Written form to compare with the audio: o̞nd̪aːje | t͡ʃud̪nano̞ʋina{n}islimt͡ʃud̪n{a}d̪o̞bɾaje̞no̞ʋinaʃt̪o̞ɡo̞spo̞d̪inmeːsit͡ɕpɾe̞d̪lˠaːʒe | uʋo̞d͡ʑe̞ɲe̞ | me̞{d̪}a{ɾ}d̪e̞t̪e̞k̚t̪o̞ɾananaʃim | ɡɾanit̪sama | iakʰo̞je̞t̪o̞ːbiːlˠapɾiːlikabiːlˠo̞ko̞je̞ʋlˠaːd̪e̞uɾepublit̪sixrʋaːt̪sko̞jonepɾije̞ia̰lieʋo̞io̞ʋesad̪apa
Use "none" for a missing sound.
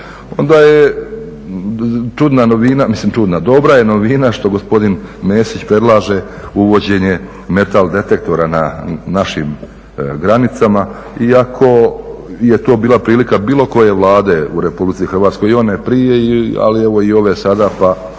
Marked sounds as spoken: m, a, t̪, l

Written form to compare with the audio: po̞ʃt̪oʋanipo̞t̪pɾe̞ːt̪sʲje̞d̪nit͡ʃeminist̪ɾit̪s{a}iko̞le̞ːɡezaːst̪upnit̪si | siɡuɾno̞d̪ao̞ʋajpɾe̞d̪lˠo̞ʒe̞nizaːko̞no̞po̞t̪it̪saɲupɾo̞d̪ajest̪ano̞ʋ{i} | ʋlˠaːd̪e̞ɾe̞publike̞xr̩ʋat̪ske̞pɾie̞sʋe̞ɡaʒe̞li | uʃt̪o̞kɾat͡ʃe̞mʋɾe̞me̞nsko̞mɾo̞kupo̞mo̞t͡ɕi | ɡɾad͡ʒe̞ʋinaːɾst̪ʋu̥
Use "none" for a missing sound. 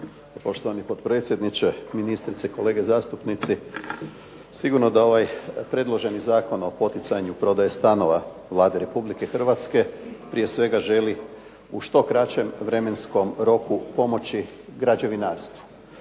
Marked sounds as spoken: e, a

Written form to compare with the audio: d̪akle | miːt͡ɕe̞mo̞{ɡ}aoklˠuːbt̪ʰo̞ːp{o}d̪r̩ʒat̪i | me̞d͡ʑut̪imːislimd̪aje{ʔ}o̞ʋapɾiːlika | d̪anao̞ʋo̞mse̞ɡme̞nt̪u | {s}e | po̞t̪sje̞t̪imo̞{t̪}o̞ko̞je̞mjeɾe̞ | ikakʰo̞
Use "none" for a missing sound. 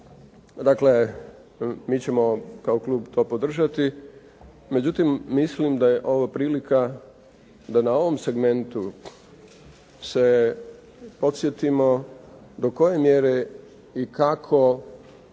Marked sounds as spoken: k, o, ʔ, s, d̪

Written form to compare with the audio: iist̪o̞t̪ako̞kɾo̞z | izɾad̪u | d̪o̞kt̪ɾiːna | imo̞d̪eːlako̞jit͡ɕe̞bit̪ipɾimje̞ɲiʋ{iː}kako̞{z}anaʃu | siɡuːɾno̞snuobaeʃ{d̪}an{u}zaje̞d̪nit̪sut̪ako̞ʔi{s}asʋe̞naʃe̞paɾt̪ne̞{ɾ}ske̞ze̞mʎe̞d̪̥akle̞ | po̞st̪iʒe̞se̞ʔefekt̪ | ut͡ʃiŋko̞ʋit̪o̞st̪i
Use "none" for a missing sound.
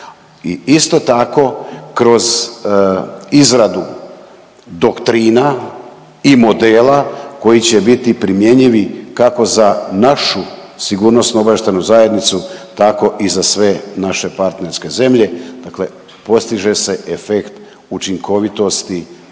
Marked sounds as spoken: i, z, t̪, u, z, ɾ

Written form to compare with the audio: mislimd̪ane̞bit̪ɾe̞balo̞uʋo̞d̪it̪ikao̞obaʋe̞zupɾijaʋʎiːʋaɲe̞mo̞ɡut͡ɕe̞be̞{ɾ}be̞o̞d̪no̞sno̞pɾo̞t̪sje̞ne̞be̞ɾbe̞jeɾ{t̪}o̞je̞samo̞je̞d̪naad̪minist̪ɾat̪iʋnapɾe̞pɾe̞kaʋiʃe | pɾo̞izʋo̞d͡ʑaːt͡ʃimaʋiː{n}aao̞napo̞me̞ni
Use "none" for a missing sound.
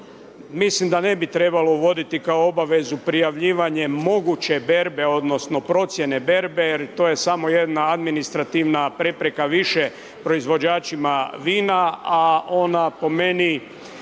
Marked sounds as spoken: ɾ, t̪, n

